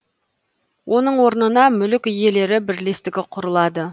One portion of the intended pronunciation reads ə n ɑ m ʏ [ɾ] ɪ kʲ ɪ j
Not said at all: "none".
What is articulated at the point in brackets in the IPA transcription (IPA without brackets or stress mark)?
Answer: l